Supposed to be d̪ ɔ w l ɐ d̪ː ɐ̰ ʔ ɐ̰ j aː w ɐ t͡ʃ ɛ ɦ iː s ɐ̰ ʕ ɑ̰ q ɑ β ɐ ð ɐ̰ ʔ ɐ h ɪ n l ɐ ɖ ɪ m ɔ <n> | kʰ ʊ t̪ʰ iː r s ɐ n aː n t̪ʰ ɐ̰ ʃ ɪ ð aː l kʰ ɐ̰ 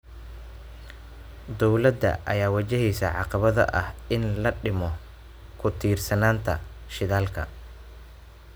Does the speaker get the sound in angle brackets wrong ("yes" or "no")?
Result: yes